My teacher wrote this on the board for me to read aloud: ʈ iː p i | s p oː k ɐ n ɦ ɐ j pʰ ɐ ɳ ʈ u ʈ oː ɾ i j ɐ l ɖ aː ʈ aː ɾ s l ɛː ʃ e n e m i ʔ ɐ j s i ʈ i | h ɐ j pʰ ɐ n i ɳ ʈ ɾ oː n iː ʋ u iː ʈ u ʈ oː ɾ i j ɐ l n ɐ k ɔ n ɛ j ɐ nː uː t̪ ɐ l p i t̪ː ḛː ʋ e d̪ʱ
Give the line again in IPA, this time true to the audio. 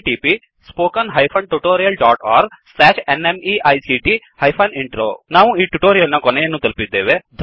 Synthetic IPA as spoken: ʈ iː p i | s p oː k ɐ n ɦ ɐ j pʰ ɐ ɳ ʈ u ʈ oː ɾ i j ɐ l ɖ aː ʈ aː ɾ s l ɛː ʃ e n e m i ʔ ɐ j s i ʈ i | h ɐ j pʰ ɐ n i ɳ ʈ ɾ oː n aː ʋ u iː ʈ u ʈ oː ɾ i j ɐ l n ɐ k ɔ n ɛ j ɐ nː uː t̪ ɐ l p i d̪ː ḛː ʋ e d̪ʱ